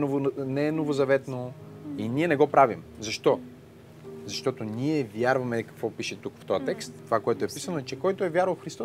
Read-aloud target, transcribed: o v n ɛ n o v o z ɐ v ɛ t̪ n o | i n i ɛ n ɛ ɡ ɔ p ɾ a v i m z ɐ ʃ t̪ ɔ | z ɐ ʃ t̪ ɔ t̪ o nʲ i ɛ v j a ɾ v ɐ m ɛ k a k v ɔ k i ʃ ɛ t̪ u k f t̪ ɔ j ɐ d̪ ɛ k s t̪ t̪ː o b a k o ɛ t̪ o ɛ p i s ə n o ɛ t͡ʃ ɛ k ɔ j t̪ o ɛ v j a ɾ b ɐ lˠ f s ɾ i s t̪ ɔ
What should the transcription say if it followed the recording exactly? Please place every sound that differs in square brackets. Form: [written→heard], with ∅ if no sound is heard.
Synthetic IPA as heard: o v n ɛ n o v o z ɐ v ɛ t̪ n o | i n i ɛ n ɛ ɡ ɔ p ɾ a v i m z ɐ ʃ t̪ ɔ | z ɐ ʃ t̪ ɔ t̪ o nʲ i ɛ v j a ɾ v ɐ m ɛ k [a→ɐ] k v ɔ [k→p] i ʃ ɛ t̪ u k f t̪ ɔ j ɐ [d̪→t̪] ɛ k s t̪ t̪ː o [b→v] a k o ɛ t̪ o ɛ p i s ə n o ɛ t͡ʃ ɛ k ɔ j t̪ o ɛ v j a ɾ [b→v] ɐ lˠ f [s→x] ɾ i s t̪ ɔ